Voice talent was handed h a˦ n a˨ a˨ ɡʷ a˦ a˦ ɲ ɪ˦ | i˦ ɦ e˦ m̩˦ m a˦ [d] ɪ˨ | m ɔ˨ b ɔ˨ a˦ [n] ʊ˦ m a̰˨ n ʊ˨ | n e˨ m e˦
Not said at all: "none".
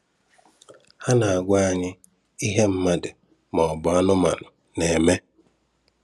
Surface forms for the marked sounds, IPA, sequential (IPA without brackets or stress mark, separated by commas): d, n